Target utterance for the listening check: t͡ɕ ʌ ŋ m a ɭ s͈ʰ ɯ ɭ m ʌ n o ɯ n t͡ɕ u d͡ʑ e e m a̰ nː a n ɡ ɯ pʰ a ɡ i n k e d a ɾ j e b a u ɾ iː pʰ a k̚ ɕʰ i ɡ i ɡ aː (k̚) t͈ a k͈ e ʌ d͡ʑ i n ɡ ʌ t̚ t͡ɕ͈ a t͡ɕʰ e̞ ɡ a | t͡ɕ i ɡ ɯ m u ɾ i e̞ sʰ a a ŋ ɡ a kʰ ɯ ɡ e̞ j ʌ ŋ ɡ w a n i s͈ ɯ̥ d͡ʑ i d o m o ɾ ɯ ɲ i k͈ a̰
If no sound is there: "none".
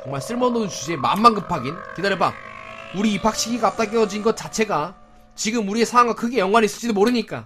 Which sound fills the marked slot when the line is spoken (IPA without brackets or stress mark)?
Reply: p̚